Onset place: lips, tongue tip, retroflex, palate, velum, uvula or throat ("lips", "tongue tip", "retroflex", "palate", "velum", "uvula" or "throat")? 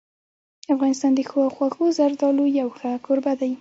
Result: lips